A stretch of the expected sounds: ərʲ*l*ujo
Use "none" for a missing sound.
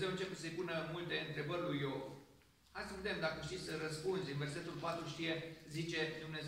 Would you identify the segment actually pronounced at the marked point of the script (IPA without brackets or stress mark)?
l